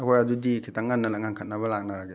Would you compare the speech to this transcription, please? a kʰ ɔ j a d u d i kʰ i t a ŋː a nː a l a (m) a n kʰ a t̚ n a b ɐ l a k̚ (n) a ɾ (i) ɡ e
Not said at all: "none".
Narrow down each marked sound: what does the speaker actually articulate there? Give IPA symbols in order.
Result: ŋ, n, a

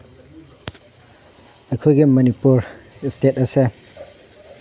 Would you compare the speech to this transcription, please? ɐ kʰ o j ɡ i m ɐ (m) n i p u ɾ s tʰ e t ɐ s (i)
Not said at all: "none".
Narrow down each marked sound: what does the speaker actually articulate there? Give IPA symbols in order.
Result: none, e

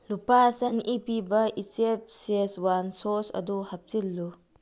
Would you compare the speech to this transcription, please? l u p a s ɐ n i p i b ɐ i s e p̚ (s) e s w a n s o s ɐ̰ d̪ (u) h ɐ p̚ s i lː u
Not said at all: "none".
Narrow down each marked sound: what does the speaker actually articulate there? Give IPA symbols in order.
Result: s, u

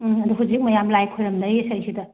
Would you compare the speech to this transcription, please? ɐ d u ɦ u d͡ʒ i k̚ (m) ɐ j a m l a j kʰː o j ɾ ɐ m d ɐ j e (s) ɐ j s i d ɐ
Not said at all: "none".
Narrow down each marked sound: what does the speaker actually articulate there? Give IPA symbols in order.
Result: m, s

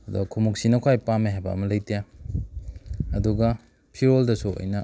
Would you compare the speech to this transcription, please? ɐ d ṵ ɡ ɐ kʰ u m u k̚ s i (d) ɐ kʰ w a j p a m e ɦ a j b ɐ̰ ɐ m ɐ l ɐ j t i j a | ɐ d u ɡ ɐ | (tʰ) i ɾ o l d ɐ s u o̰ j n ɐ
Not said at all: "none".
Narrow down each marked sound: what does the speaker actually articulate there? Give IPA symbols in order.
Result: n, pʰ

